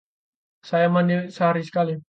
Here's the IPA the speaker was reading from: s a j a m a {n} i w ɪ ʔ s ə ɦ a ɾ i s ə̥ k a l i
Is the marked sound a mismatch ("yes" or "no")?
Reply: no